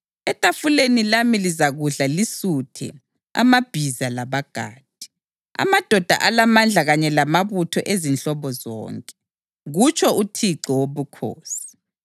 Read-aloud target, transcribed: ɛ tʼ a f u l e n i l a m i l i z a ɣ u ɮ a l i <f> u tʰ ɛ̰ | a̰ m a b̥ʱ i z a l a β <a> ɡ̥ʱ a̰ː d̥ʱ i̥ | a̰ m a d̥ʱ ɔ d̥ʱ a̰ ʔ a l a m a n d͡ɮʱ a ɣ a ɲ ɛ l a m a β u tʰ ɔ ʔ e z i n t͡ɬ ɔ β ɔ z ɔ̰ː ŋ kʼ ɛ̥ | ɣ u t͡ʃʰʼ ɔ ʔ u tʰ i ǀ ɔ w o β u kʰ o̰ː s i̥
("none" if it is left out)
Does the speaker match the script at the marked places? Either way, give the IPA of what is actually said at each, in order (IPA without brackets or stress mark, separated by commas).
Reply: s, a